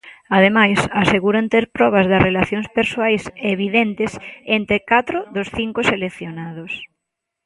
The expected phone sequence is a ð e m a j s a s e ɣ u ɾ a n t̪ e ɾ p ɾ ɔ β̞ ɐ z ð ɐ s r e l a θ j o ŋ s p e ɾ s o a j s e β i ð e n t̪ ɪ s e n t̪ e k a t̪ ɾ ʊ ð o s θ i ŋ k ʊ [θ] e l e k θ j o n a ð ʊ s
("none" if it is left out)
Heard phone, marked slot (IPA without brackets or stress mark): s